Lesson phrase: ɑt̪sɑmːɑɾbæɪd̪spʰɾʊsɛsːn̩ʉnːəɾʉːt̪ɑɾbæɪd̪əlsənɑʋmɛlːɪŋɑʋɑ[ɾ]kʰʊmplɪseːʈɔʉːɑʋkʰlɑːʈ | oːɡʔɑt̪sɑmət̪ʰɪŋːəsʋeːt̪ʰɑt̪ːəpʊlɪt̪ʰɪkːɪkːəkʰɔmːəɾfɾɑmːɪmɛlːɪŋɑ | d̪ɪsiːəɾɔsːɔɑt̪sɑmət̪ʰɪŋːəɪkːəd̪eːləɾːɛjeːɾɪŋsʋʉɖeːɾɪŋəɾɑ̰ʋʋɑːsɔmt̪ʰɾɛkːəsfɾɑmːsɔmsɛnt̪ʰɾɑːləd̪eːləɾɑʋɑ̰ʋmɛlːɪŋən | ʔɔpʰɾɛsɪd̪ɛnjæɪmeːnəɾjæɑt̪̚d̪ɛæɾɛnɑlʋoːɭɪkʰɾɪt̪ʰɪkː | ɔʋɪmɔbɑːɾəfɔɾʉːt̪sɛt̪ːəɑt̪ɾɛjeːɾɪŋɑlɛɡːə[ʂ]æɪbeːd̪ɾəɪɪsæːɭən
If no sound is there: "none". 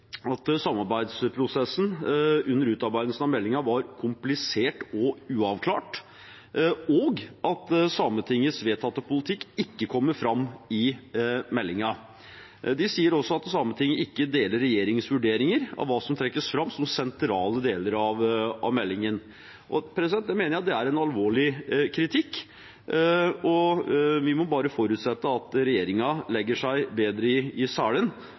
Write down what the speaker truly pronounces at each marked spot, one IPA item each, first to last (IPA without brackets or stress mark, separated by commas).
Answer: ɾ, ʂ